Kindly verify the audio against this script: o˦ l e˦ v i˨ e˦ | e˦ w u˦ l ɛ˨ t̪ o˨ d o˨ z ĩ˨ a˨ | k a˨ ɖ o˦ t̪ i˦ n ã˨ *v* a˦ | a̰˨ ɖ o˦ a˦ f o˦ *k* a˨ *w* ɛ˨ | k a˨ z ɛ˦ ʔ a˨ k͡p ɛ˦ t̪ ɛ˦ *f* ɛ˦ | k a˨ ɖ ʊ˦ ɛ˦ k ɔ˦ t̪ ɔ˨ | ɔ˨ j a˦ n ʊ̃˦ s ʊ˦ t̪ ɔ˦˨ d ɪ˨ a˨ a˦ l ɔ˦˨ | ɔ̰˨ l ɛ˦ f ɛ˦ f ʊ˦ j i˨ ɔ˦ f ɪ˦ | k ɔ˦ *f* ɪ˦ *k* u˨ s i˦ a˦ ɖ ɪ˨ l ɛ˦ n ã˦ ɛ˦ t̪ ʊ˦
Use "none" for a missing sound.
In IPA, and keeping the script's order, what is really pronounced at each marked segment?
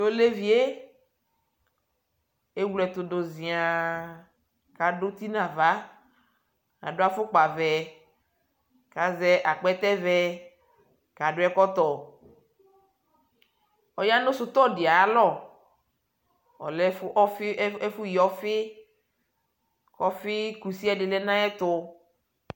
v, k͡p, v, v, f, k

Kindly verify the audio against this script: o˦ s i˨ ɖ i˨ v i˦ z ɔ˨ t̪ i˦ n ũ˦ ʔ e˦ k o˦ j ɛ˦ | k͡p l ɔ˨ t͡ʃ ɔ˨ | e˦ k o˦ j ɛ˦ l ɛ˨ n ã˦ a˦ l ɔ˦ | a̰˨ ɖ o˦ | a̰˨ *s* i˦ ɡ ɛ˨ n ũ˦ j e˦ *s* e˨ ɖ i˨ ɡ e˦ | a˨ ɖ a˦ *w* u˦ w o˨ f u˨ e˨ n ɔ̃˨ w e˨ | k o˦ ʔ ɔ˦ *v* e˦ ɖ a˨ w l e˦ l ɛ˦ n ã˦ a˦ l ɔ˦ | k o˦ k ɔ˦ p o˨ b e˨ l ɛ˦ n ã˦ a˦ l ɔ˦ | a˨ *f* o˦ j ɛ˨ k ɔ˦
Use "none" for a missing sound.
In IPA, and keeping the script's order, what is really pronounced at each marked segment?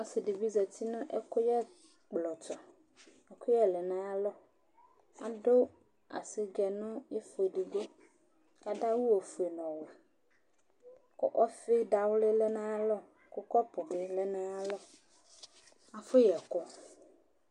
s, f, w, f, f

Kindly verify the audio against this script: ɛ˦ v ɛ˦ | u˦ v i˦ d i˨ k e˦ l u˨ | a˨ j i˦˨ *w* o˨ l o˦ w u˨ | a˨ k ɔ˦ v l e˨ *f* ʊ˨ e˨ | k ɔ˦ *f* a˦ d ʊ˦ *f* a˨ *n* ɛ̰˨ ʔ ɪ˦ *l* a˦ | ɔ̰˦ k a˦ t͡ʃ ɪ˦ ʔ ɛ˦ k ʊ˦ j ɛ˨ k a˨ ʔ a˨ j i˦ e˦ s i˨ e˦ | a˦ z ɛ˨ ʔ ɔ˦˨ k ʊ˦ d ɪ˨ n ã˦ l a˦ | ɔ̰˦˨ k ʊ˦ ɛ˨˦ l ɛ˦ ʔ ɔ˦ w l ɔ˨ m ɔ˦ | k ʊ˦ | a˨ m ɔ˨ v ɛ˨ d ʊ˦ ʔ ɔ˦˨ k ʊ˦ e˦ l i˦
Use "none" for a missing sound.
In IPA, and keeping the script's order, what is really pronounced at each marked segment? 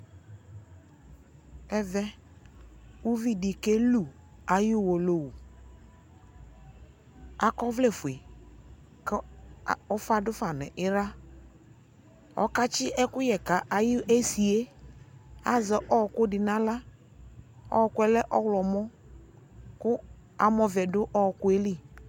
w, f, f, f, n, ɾ

